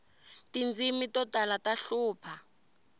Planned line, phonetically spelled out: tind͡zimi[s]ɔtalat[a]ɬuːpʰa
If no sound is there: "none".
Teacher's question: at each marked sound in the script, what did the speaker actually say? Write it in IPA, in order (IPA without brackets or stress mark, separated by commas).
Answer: t, a